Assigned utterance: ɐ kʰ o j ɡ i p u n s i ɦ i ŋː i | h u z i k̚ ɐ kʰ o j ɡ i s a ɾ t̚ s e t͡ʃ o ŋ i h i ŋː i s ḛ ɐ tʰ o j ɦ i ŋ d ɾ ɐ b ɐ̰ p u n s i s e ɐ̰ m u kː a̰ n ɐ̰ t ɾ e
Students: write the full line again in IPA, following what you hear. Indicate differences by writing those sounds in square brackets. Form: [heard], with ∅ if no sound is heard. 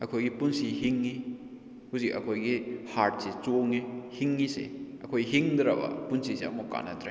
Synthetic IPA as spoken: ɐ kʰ o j ɡ i p u n s i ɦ i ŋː i | h u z i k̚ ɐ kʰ o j ɡ i [h] a ɾ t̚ s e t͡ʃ o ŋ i h i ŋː i s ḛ ɐ [kʰ] o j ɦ i ŋ d ɾ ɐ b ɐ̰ p u n s i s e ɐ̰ m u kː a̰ n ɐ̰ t ɾ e